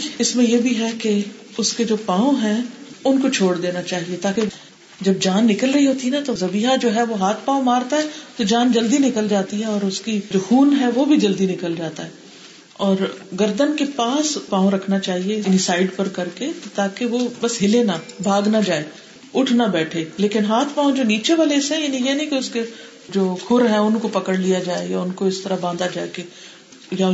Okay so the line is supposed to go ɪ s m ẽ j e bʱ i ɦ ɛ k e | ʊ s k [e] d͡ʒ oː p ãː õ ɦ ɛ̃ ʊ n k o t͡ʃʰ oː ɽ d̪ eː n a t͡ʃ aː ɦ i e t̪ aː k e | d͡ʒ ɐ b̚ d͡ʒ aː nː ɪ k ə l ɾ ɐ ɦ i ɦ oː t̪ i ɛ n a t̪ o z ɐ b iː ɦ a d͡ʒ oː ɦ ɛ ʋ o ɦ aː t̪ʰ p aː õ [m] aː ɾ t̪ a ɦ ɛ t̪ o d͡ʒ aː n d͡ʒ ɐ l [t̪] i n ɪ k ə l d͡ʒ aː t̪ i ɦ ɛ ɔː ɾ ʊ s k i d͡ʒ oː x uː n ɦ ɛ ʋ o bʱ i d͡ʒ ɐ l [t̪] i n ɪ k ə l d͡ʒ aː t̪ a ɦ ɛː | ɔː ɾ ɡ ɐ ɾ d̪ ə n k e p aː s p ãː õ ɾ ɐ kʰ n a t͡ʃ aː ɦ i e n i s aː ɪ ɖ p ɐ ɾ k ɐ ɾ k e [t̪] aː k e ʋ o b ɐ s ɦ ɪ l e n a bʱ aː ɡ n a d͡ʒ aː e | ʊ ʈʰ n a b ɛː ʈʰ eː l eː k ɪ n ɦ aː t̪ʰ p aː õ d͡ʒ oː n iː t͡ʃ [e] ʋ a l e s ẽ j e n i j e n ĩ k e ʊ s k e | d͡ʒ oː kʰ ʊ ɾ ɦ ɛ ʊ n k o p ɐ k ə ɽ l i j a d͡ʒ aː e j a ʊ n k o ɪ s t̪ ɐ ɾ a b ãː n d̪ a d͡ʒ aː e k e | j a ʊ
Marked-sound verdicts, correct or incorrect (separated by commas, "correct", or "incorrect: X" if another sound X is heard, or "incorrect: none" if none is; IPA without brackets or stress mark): correct, correct, incorrect: d̪, incorrect: d̪, correct, correct